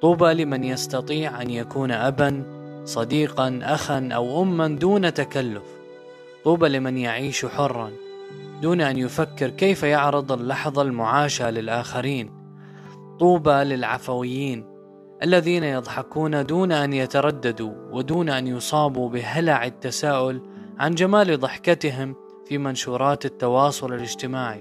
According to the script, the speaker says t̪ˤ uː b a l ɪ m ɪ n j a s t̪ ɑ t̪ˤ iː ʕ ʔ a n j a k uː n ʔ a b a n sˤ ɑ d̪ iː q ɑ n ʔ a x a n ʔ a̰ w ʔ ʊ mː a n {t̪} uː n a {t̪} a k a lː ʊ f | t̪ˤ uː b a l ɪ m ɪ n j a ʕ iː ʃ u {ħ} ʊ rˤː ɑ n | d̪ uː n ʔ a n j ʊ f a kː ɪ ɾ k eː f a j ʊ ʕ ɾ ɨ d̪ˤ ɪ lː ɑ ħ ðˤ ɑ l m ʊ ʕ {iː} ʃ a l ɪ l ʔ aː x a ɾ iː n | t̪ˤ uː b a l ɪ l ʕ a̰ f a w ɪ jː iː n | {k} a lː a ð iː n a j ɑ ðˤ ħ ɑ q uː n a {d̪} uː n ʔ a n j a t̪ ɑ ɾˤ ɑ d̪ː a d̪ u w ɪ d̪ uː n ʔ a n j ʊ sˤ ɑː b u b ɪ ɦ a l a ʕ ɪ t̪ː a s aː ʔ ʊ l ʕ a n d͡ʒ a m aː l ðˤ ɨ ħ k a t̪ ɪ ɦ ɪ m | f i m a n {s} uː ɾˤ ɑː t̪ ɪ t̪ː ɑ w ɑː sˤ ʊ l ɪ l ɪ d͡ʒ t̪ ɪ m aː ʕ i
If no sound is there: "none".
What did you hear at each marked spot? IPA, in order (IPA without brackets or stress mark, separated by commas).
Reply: d̪, t̪, ħ, aː, ʔ, d̪, ʃ